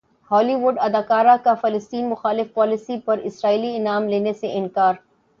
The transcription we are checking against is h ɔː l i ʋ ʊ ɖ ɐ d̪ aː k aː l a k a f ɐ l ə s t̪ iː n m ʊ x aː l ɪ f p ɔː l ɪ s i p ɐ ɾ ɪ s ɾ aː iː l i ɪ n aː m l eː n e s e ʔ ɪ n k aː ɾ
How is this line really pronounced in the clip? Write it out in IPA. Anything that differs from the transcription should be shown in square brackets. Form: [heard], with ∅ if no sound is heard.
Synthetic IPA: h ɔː l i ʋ ʊ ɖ ɐ d̪ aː k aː [ɾ] a k a f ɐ l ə s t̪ iː n m ʊ x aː l ɪ f p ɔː l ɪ s i p ɐ ɾ ɪ s ɾ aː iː l i ɪ n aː m l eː n e s e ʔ ɪ n k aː ɾ